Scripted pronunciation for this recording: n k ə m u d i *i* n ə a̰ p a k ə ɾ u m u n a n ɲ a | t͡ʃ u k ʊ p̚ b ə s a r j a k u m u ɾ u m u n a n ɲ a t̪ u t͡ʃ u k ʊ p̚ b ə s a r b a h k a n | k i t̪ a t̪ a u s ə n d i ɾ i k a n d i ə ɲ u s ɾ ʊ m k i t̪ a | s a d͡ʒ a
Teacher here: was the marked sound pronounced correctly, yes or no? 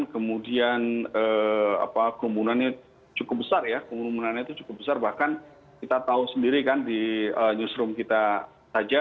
no